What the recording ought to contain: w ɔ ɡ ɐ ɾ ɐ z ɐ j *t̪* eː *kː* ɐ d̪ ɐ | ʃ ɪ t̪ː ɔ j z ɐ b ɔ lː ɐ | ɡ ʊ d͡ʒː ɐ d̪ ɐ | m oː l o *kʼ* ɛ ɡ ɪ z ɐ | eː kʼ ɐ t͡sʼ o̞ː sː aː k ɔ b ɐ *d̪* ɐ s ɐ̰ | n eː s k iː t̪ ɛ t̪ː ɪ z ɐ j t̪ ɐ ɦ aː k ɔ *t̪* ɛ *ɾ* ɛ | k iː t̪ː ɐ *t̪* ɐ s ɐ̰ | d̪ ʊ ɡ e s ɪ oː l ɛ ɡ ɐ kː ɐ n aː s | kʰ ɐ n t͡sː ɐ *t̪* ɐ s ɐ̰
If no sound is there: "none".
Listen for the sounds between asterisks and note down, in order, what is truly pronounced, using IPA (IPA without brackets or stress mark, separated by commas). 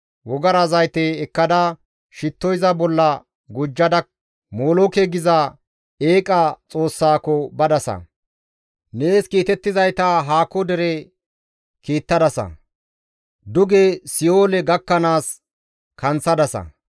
t̪, kː, k, d̪, d̪, ɾ, d̪, d̪